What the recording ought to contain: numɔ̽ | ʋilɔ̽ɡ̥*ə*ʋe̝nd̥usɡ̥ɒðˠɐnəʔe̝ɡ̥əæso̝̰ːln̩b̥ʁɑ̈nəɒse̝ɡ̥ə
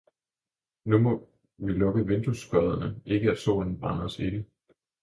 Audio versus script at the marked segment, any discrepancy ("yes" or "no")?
no